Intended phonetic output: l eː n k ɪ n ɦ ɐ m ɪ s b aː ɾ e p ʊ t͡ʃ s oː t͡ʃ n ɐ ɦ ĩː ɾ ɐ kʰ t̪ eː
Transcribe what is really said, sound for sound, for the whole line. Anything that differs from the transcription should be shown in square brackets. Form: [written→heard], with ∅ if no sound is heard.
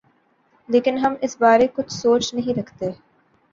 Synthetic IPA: l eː [n→∅] k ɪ n ɦ ɐ m ɪ s b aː ɾ e [p→k] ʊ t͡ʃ s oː t͡ʃ n ɐ ɦ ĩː ɾ ɐ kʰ t̪ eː